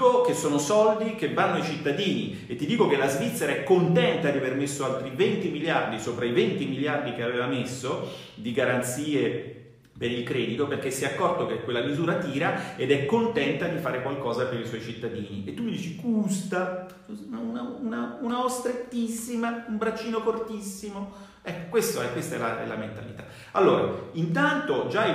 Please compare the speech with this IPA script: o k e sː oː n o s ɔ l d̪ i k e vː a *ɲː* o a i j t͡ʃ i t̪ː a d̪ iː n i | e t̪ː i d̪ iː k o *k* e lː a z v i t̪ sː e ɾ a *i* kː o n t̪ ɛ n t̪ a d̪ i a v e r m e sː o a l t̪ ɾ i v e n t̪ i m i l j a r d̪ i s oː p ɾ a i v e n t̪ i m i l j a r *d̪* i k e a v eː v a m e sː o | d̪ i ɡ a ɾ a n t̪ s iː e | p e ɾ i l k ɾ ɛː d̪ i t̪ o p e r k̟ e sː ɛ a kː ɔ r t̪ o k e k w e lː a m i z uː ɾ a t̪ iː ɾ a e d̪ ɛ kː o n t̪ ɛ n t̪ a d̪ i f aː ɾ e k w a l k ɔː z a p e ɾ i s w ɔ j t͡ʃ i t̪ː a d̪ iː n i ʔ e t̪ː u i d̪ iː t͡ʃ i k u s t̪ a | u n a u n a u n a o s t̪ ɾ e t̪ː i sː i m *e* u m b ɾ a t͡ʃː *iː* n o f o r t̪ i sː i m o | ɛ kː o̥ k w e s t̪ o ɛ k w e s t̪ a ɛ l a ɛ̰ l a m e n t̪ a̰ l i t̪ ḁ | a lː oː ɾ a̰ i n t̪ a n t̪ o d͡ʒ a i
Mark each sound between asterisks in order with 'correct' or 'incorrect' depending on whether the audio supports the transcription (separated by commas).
incorrect, correct, incorrect, correct, incorrect, correct